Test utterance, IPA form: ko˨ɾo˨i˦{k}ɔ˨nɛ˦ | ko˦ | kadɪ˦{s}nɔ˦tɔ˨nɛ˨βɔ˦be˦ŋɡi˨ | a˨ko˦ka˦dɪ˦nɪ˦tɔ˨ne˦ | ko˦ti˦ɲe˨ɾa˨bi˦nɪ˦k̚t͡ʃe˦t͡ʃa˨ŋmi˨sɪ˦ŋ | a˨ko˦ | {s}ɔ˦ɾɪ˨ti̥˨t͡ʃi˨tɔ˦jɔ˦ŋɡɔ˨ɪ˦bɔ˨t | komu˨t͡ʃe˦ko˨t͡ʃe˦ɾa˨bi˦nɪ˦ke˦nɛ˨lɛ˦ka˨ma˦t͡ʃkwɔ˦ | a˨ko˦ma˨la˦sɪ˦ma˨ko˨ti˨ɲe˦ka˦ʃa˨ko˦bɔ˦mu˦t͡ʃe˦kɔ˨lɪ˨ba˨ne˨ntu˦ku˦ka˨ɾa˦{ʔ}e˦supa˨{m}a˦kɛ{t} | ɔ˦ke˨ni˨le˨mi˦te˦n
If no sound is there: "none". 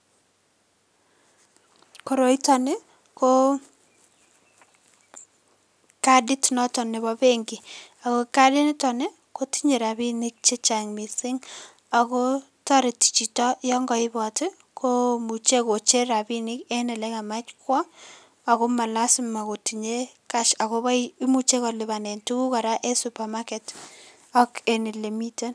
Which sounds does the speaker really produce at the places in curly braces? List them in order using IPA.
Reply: t, t, t, ʔ, m, t

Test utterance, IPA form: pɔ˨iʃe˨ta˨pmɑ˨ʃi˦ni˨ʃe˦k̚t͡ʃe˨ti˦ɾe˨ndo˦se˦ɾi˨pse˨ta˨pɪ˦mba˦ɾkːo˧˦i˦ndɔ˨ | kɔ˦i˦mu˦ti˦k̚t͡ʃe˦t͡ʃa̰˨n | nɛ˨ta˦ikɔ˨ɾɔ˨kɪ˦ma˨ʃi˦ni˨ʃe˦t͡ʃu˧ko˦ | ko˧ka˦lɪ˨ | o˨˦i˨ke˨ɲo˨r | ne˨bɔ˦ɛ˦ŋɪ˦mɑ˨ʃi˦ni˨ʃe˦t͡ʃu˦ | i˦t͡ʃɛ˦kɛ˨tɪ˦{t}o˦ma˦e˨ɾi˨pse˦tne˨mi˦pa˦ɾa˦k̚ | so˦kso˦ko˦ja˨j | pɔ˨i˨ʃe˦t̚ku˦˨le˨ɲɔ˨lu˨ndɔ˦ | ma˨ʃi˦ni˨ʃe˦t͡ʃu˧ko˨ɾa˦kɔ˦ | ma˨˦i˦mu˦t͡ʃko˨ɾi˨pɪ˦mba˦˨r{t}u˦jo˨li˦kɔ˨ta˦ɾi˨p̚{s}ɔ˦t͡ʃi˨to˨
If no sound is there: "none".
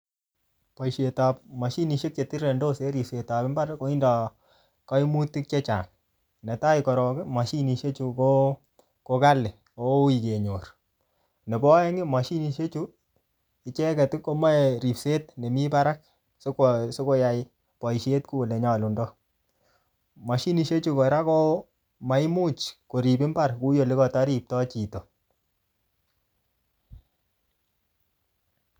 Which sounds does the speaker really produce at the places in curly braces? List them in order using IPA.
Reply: k, k, t

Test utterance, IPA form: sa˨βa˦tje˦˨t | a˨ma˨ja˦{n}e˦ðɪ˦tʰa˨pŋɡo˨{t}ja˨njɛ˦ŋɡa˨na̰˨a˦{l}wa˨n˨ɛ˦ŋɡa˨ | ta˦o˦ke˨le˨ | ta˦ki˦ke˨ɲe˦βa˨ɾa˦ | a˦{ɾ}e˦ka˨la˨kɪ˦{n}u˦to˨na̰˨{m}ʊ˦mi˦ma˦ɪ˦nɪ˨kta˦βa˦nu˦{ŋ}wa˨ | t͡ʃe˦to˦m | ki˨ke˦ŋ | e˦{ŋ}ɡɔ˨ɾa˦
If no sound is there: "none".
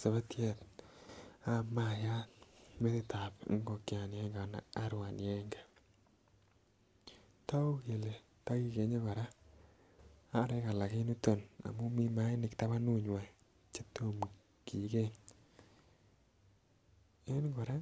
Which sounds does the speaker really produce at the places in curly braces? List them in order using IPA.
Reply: m, k, ɾ, ɾ, n, m, ɲ, n

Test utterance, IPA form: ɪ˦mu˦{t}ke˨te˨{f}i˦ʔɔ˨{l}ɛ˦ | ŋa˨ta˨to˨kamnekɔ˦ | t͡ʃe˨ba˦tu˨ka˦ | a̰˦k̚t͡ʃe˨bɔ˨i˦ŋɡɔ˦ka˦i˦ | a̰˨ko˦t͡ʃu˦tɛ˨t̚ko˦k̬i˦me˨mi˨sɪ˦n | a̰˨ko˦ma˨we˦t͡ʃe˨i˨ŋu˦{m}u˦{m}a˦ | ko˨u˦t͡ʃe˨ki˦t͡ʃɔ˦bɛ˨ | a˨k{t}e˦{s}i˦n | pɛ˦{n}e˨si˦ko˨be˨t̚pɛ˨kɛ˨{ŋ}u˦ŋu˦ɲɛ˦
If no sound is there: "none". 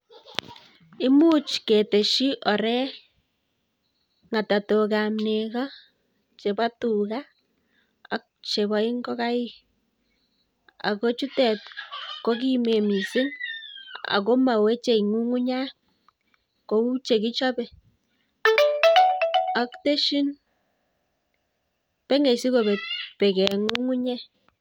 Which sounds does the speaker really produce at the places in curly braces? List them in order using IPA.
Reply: t͡ʃ, ʃ, ɾ, ŋ, ɲ, t, ʃ, ŋ, ŋ

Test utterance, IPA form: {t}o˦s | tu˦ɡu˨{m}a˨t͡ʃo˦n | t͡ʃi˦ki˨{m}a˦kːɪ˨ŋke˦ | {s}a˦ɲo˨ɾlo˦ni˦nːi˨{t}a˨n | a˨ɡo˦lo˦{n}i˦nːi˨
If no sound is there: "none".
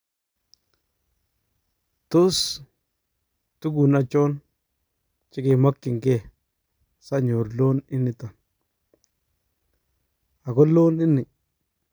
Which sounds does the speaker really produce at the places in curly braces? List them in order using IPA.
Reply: t, n, m, s, t, n

